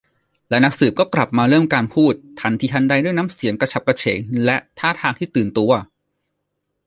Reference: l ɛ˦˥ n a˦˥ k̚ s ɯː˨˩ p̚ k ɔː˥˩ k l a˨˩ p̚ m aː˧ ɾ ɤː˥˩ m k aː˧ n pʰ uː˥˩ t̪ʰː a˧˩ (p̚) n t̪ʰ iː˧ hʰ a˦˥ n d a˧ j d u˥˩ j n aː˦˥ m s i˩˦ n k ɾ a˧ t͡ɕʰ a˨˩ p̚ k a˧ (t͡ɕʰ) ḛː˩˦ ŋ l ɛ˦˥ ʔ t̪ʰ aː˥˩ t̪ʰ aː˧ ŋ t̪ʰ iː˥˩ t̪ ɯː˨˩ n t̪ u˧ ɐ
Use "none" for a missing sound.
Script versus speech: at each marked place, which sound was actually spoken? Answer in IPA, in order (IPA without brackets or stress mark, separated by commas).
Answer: none, t͡ɕʰ